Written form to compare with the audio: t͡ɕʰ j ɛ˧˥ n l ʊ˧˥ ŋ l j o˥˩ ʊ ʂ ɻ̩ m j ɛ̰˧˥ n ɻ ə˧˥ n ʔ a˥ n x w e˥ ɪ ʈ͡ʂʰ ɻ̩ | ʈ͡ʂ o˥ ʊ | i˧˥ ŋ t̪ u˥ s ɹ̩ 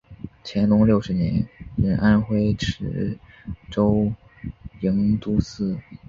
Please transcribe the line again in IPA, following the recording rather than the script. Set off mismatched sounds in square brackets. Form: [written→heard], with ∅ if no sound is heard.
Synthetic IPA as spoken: t͡ɕʰ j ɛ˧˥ n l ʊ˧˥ ŋ l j o˥˩ ʊ ʂ ɻ̩ [m→n] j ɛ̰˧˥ n ɻ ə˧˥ n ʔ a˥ n x w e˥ ɪ ʈ͡ʂʰ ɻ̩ | ʈ͡ʂ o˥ ʊ | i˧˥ ŋ t̪ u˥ s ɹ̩